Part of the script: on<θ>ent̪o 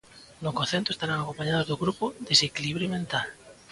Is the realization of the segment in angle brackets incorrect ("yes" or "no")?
no